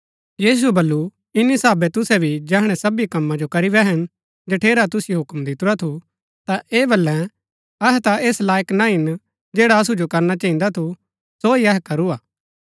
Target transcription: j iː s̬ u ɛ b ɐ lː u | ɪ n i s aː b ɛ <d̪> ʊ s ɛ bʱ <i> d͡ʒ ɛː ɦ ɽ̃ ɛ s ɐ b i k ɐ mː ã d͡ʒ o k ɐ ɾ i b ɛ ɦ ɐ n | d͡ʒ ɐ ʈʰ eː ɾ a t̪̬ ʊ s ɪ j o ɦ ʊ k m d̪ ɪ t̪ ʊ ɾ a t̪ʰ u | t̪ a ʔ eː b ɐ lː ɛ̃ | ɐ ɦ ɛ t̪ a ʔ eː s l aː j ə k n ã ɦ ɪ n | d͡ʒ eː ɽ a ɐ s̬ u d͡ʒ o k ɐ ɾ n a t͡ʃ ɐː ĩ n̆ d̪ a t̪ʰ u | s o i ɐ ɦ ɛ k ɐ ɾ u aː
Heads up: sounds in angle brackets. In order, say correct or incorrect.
incorrect, correct

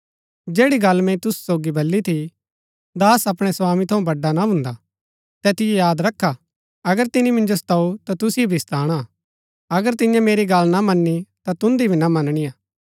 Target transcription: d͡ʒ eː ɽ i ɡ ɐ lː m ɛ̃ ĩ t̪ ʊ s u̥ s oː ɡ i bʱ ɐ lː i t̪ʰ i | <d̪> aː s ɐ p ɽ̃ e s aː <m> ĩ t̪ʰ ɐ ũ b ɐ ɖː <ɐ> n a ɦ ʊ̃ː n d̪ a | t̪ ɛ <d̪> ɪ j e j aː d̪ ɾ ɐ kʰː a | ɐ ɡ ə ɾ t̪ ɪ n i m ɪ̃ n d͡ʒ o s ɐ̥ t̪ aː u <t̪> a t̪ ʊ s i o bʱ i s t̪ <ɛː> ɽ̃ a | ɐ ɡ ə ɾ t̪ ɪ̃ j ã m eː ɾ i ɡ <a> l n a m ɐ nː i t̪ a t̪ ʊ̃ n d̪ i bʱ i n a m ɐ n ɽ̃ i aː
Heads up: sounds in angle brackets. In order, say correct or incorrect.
correct, correct, incorrect, incorrect, correct, incorrect, incorrect

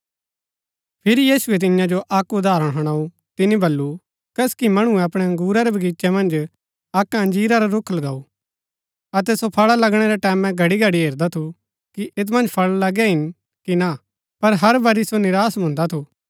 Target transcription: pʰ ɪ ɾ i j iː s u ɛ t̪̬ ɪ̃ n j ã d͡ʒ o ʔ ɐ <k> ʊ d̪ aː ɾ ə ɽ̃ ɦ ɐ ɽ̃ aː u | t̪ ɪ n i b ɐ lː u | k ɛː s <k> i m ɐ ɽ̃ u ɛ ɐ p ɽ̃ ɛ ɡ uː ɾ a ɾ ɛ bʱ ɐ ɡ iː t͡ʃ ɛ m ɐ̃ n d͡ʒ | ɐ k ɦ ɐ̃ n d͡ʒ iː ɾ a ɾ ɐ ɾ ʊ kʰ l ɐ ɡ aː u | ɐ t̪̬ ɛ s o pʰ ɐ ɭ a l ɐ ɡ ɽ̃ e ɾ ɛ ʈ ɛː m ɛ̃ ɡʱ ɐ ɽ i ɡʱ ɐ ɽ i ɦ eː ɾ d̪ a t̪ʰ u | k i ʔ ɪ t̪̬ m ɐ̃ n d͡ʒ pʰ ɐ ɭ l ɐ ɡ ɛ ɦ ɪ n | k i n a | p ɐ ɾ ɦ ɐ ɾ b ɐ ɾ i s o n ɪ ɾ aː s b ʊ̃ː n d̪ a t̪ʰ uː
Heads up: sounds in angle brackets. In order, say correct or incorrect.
correct, correct

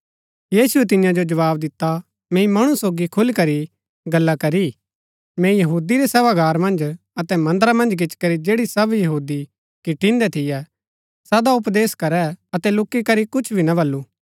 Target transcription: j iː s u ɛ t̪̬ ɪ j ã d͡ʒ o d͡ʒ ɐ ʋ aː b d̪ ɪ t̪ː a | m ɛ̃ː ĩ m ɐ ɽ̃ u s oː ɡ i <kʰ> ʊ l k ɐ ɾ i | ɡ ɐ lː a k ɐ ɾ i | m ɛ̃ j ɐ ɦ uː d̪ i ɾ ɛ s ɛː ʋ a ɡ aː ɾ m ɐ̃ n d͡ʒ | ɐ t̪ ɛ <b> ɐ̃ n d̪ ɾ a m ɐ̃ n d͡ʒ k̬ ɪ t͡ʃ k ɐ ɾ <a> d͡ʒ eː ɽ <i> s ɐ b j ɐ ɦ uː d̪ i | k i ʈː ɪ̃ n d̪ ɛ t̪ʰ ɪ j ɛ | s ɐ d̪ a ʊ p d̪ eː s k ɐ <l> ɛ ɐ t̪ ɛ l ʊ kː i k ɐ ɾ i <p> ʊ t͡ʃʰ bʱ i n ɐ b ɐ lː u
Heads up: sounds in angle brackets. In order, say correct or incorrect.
correct, incorrect, incorrect, correct, incorrect, incorrect

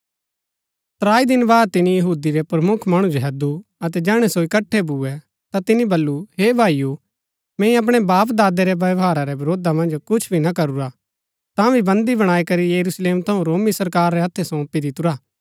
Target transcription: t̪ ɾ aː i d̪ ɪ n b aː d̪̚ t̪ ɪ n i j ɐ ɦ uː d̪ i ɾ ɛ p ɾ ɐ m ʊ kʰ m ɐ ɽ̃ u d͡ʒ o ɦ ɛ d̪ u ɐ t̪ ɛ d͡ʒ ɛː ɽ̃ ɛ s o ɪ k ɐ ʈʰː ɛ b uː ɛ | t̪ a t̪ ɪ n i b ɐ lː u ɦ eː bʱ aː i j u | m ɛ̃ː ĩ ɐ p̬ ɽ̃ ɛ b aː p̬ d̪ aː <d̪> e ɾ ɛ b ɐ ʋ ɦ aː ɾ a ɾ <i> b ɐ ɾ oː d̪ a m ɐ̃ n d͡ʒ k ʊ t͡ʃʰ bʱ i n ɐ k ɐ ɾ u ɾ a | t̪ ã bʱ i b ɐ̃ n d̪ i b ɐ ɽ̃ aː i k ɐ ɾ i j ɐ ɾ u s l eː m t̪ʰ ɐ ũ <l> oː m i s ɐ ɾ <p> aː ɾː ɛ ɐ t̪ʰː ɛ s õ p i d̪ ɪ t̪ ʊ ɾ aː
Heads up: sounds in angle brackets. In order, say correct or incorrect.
correct, incorrect, incorrect, incorrect

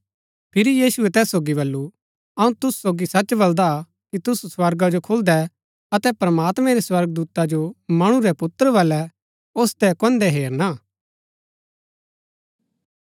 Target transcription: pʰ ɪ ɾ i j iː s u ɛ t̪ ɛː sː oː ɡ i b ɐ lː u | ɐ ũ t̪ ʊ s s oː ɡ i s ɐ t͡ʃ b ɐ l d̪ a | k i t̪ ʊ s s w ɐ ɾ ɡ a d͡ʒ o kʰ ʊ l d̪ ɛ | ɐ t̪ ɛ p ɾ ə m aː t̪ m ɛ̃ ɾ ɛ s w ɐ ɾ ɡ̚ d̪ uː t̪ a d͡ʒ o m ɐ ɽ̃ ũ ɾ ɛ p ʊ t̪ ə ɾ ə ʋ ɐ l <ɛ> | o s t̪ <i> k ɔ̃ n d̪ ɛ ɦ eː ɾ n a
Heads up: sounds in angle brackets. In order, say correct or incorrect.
correct, incorrect

